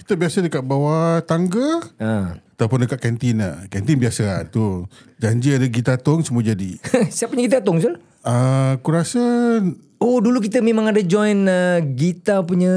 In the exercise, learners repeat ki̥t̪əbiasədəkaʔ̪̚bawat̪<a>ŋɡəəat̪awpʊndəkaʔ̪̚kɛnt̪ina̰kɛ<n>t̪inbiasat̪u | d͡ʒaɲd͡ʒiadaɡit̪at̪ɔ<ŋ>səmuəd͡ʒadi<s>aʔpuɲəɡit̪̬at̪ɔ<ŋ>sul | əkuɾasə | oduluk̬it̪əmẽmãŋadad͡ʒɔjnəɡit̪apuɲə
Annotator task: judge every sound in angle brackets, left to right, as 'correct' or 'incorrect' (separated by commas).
correct, correct, correct, correct, correct